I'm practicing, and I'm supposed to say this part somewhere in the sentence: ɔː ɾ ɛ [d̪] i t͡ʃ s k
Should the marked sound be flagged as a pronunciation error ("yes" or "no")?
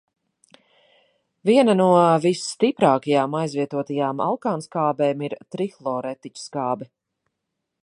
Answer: yes